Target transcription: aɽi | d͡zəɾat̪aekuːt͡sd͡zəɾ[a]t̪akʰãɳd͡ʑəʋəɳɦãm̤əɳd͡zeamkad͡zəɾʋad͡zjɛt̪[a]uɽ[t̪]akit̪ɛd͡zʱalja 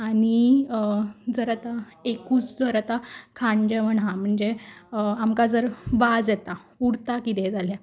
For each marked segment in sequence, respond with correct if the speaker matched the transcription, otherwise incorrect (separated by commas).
correct, correct, correct